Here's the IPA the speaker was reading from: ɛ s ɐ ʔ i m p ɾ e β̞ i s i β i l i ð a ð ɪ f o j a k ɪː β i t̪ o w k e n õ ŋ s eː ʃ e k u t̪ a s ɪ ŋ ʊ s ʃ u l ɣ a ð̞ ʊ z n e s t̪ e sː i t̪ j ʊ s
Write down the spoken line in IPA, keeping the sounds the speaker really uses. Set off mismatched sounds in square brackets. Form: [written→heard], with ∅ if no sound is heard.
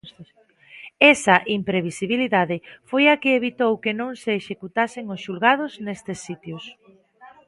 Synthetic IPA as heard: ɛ s ɐ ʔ i m p ɾ e β̞ i s i β i l i ð a ð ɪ f o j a k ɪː β i t̪ o w k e n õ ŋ s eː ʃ e k u t̪ a s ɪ ŋ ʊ s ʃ u l ɣ a ð̞ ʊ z n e s t̪ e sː i t̪ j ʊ s